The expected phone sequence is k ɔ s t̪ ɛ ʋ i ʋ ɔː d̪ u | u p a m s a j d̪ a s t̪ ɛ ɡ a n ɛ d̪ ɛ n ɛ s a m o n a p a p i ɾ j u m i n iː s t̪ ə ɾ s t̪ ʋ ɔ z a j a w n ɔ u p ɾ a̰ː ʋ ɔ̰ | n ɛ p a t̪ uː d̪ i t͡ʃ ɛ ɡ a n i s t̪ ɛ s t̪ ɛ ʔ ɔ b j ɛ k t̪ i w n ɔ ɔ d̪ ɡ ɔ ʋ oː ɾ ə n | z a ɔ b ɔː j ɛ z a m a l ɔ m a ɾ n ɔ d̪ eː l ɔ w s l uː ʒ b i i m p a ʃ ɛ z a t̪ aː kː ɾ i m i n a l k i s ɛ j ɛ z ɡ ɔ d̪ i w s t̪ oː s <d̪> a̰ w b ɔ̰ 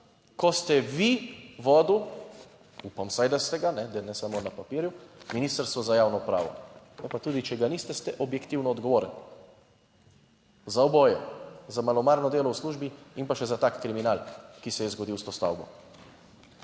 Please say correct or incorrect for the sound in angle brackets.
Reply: incorrect